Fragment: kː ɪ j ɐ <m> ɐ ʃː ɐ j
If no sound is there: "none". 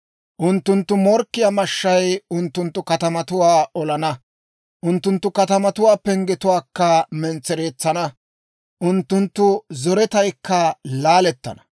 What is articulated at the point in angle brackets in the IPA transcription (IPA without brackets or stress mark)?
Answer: m